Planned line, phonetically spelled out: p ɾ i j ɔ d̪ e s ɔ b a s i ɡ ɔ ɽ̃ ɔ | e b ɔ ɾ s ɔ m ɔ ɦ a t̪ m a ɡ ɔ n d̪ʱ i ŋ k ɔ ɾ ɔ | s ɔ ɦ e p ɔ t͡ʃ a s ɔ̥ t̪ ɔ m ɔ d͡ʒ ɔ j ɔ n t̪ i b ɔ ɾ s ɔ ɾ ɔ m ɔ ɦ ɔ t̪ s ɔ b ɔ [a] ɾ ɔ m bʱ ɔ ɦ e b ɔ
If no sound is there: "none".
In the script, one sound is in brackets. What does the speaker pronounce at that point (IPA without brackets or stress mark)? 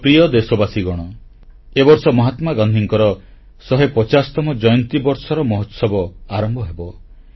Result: a